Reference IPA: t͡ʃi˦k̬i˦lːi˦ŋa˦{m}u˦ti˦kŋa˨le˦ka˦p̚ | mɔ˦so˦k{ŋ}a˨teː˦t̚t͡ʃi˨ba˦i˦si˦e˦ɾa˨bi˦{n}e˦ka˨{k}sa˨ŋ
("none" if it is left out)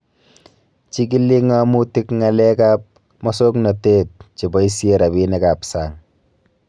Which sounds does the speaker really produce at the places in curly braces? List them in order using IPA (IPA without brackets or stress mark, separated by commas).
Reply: m, n, n, p